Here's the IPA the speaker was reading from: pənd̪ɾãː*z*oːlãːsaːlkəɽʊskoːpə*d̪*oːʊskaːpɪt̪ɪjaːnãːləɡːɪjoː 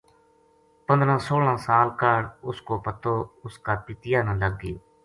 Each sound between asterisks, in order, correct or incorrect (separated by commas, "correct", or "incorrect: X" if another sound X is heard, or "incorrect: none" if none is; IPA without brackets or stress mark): incorrect: s, incorrect: t̪